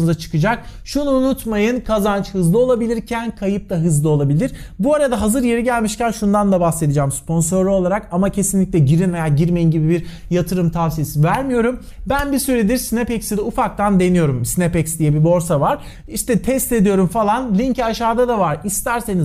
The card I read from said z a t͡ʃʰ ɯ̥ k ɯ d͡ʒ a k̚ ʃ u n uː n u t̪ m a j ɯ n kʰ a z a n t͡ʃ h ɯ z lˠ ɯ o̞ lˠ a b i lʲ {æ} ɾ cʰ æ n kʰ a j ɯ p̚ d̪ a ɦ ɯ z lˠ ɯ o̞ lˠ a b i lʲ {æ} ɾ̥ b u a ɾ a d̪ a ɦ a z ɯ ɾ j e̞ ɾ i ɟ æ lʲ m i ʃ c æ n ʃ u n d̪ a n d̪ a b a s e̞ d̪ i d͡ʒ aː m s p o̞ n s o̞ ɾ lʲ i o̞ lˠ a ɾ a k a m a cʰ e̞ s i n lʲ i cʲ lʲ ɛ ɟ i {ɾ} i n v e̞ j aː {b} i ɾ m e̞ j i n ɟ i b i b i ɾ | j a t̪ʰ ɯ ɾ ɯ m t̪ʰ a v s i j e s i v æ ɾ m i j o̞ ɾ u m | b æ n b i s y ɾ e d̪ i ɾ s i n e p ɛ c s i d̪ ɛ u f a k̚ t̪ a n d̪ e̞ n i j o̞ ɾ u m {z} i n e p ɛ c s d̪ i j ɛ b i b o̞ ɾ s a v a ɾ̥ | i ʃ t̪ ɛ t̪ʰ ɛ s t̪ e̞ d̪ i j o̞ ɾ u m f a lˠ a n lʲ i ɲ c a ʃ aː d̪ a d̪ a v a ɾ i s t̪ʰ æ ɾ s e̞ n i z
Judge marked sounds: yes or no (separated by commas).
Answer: no, no, yes, no, no